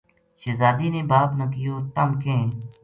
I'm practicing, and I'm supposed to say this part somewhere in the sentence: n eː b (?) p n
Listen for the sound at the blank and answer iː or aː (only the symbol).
aː